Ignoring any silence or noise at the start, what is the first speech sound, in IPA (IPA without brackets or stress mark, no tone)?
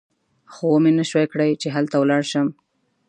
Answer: x